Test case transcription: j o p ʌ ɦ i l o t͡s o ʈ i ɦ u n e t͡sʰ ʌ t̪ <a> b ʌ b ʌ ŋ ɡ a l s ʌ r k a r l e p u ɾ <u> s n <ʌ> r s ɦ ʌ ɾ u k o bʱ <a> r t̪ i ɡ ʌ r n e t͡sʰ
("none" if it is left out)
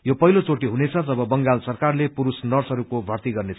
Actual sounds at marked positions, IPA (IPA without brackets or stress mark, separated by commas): ʌ, u, ʌ, ʌ